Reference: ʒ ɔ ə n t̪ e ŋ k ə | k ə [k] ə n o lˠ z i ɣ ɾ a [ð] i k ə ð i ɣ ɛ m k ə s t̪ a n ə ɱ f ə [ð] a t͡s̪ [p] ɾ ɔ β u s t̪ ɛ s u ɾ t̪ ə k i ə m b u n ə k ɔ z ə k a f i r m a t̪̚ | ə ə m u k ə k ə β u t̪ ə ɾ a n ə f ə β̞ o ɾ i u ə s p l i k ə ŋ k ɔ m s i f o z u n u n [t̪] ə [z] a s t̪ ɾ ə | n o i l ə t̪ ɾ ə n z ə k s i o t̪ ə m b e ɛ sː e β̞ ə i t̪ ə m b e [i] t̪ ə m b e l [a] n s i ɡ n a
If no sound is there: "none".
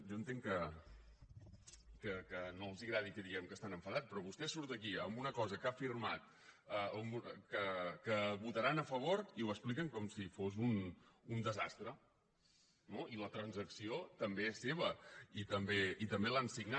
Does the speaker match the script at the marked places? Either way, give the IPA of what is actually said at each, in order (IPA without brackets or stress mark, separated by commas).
k, ð, ð, p, d̪, z, i, a